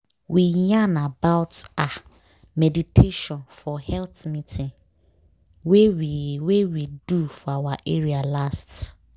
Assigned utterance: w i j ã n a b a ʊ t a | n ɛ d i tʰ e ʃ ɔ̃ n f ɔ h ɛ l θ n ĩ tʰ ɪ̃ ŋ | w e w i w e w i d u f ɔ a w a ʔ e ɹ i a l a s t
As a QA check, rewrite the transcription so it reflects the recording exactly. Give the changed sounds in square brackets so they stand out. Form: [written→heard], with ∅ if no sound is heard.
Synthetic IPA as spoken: w i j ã n a b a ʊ t a | [n→m] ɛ d i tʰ e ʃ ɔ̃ n f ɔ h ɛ l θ [n→m] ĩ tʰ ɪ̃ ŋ | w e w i w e w i d u f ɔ a w a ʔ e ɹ i a l a s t

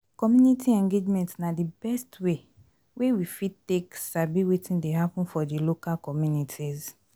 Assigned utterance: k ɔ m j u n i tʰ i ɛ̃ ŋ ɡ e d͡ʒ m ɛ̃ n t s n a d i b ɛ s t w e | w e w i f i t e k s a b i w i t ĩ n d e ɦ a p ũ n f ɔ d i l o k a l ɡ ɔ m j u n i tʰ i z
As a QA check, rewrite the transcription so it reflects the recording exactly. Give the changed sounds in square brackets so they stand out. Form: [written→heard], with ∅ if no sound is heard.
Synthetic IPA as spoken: k ɔ m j u n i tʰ i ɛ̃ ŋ ɡ e d͡ʒ m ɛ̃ n t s n a d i b ɛ s t w e | w e w i f i t e k s a b i w [i→e] t ĩ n d e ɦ a p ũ n f ɔ d i l o k a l [ɡ→k] ɔ m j u n i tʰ i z

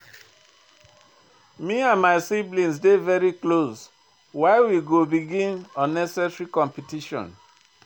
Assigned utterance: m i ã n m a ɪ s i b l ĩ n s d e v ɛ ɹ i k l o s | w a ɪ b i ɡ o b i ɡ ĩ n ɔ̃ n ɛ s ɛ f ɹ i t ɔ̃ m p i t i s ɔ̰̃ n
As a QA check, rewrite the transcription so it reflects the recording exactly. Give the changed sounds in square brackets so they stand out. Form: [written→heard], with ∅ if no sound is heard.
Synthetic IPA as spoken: m i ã n m a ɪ s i b l ĩ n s d e v ɛ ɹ i k l o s | w a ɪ [b→w] i ɡ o b i ɡ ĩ n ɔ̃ n ɛ s ɛ [f→s] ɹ i [t→k] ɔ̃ m p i t i [s→ʃ] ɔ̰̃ n

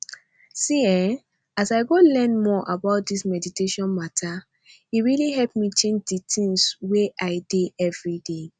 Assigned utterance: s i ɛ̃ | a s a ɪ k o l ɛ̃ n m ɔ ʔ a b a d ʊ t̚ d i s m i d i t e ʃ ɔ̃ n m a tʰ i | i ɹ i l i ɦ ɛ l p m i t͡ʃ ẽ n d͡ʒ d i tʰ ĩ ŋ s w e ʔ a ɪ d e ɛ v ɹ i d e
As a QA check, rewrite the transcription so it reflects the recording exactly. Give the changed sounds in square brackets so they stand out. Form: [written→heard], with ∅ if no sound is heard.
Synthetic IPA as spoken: s i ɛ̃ | a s a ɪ [k→ɡ] o l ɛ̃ n m ɔ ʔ a b a [d→∅] ʊ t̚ d i s m [i→ɛ] d i t e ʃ ɔ̃ n m a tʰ [i→a] | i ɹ i l i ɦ ɛ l p m i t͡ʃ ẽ n d͡ʒ d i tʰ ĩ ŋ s w e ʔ a ɪ d e ɛ v ɹ i d e

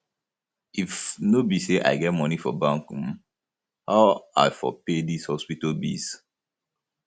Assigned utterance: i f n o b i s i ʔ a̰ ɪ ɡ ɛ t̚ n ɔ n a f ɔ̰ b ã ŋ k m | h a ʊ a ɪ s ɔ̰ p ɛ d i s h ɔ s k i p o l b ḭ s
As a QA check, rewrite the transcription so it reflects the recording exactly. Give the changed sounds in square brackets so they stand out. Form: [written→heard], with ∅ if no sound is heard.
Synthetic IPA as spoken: i f n o b i s [i→e] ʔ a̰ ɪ ɡ ɛ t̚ [n→m] ɔ n [a→i] f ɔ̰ b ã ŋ k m | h a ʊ a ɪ [s→f] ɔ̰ p [ɛ→e] d i s h ɔ s [k→p] i [p→t] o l b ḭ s

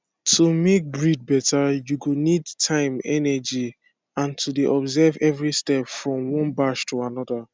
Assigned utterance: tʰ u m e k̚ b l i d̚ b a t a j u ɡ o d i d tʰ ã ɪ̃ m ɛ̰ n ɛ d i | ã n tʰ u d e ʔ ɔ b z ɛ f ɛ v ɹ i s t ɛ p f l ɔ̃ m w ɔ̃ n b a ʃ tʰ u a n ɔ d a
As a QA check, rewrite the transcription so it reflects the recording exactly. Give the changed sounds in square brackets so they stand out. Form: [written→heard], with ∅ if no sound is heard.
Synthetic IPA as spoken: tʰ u m e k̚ b [l→ɹ] i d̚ b [a→ɛ] t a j u ɡ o [d→n] i d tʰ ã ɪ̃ m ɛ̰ n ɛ [d→d͡ʒ] i | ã n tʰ u d e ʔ ɔ b z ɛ [f→v] ɛ v ɹ i s t ɛ p f [l→ɹ] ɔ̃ m w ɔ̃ n b a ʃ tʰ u a n ɔ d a

